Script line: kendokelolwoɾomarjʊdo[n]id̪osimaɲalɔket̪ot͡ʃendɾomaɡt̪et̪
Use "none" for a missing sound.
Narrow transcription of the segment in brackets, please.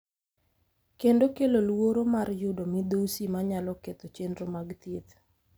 m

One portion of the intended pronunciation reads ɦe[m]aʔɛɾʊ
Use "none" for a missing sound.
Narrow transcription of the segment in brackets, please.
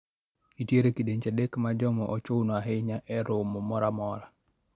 ɲ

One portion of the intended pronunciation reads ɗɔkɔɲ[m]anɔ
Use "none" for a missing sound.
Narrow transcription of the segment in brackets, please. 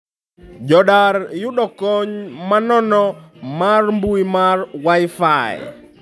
m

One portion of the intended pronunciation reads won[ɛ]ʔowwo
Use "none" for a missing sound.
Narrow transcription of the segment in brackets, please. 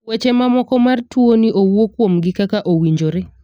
i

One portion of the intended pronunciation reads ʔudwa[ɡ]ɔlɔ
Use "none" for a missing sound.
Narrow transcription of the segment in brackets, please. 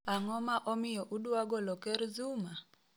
ɡ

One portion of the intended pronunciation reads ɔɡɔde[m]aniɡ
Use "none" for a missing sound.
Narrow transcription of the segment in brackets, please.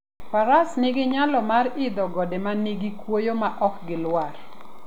m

